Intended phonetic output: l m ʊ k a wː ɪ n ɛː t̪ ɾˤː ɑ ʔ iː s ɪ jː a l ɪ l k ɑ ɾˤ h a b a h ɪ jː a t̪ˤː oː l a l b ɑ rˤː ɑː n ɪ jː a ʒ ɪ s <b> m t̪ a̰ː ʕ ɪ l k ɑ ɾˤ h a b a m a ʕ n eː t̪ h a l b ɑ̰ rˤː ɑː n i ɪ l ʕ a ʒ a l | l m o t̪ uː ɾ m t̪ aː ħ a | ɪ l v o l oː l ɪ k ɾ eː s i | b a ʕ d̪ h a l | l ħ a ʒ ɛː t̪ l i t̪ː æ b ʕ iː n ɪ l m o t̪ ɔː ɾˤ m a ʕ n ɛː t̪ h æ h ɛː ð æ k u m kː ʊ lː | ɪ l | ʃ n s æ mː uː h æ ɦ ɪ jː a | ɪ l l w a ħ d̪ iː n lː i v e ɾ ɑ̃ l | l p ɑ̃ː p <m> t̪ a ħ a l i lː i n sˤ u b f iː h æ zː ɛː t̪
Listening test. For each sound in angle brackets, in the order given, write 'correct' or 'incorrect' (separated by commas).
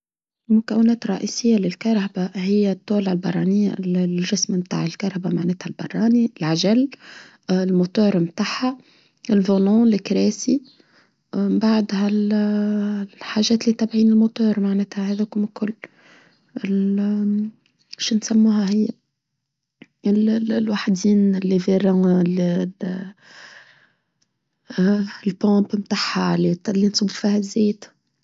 incorrect, correct